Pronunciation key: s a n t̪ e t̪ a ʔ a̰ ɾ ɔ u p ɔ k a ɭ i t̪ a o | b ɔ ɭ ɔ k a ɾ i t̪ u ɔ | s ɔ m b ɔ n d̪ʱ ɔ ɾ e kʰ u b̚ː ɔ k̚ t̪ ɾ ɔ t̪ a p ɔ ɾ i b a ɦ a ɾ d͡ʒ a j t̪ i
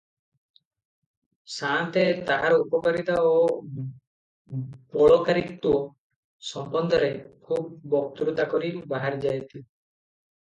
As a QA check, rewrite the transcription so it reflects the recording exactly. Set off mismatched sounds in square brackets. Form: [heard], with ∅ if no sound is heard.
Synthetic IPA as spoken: s a n t̪ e t̪ a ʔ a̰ ɾ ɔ u p ɔ k a [ɾ] i t̪ a o | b ɔ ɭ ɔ k a ɾ i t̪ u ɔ | s ɔ m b ɔ n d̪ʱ ɔ ɾ e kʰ u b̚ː ɔ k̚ t̪ ɾ [u] t̪ a [k] ɔ ɾ i b a ɦ a ɾ d͡ʒ a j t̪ i